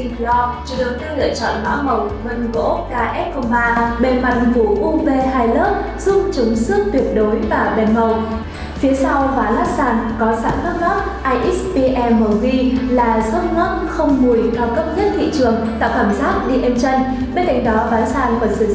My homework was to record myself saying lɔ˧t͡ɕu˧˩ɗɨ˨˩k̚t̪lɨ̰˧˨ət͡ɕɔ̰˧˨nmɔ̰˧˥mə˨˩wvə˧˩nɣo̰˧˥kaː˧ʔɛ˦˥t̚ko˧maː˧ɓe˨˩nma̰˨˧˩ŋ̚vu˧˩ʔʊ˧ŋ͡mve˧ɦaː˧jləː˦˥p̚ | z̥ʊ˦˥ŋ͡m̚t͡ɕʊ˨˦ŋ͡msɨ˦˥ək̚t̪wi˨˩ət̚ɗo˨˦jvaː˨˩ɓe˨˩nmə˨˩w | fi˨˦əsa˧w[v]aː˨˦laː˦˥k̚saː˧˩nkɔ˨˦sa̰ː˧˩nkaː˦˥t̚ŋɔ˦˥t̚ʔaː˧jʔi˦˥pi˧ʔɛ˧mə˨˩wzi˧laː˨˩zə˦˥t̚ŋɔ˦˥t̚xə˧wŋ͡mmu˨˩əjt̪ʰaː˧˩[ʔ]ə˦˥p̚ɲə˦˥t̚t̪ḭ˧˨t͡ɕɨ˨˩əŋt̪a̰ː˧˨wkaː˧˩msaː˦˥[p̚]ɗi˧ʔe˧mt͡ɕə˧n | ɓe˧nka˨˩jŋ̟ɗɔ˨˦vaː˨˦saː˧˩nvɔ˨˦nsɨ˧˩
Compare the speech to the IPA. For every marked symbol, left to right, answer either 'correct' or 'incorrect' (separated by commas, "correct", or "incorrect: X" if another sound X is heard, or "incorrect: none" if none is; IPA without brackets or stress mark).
correct, incorrect: k, incorrect: t̚